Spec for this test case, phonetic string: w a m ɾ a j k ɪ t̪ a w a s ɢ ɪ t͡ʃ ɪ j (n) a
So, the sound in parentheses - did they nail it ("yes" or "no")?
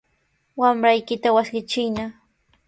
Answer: yes